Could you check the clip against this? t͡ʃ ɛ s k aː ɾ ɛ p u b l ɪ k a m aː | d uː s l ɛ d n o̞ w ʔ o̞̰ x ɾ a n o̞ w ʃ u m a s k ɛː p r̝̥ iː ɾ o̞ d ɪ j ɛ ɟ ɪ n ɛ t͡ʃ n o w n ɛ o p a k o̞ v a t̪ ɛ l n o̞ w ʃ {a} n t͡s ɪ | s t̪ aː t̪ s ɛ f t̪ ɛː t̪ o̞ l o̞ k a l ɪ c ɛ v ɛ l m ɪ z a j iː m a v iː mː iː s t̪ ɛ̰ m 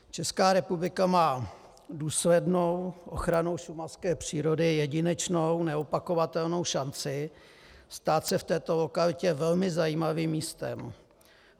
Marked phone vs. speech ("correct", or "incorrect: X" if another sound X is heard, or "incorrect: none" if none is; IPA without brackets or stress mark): correct